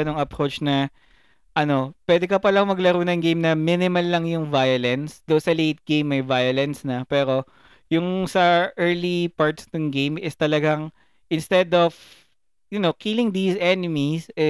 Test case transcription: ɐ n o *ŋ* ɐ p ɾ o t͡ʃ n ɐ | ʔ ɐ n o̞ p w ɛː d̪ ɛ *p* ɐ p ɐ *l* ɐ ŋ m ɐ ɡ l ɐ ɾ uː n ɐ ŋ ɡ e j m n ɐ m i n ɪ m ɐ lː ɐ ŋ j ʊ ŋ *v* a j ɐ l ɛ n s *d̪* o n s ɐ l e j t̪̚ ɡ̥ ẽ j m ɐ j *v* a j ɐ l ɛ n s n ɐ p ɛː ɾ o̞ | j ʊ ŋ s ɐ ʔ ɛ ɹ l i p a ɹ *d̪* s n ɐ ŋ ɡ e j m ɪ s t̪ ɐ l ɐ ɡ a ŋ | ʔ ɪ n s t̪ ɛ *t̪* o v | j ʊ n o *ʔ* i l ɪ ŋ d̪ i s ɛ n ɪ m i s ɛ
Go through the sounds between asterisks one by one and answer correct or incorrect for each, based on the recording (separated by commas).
correct, incorrect, correct, correct, correct, correct, incorrect, incorrect, incorrect